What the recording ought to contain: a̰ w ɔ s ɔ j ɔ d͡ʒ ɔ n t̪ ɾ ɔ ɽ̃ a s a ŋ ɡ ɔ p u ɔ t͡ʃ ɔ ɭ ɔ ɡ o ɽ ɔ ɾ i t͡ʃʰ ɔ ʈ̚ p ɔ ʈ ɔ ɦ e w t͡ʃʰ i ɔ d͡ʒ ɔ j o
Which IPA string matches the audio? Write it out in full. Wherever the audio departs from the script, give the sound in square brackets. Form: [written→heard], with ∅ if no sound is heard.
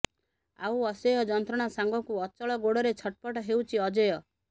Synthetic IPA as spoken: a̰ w ɔ s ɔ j ɔ d͡ʒ ɔ n t̪ ɾ ɔ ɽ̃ a s a ŋ ɡ ɔ [p→k] u ɔ t͡ʃ ɔ ɭ ɔ ɡ o ɽ ɔ ɾ [i→e] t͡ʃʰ ɔ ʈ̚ p ɔ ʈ ɔ ɦ e w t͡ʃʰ i ɔ d͡ʒ ɔ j [o→ɔ]